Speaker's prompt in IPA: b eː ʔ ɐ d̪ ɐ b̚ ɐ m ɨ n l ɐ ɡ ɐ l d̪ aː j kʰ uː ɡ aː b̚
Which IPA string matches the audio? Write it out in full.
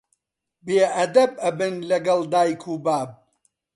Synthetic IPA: b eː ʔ ɐ d̪ ɐ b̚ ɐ b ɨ n l ɐ ɡ ɐ l d̪ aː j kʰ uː b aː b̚